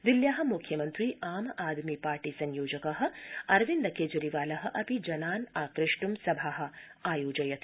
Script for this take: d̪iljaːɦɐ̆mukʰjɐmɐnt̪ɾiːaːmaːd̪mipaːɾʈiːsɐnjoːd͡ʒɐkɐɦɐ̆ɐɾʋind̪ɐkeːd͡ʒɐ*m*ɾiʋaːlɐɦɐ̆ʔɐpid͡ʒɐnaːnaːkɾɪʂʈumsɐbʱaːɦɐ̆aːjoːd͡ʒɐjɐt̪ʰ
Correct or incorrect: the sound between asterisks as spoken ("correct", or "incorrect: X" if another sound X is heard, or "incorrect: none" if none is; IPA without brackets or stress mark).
incorrect: none